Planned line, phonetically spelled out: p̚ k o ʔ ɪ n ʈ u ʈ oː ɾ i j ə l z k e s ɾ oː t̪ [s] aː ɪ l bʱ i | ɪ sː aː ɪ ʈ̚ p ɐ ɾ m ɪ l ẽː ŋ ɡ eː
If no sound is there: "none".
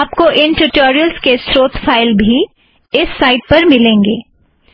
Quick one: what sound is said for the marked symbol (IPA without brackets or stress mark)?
f